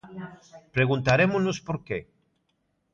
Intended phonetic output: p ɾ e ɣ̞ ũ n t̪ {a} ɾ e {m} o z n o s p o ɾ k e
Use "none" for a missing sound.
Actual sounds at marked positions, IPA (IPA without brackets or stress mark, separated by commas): a, m